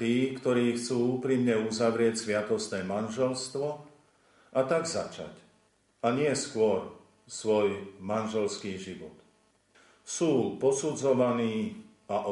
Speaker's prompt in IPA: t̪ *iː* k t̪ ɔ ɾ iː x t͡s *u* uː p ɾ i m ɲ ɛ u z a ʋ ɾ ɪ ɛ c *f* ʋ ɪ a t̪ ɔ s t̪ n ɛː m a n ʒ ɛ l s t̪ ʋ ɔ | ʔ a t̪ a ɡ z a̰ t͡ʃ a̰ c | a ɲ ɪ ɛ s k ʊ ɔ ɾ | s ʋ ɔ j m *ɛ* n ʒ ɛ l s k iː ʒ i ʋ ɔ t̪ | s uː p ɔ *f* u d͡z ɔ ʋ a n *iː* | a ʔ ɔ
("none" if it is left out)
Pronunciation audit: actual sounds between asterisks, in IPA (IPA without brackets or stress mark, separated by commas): iː, uː, s, a, s, iː